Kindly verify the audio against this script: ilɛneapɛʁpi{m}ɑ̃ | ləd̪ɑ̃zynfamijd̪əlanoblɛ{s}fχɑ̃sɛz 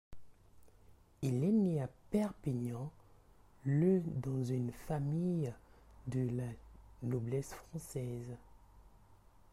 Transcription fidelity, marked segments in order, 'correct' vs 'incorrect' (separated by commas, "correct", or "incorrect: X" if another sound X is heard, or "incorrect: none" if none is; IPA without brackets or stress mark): incorrect: ɲ, correct